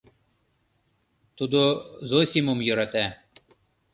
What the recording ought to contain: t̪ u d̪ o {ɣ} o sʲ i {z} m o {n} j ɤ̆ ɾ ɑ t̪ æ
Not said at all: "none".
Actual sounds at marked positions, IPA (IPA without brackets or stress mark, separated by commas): z, none, m